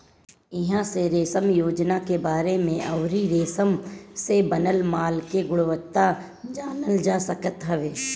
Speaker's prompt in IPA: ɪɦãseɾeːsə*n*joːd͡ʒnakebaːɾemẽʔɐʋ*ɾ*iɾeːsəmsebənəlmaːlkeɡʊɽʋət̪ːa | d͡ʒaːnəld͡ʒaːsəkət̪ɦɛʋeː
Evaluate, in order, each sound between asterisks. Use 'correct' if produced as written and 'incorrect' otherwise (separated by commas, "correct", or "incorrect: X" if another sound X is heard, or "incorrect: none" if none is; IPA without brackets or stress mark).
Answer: incorrect: m, correct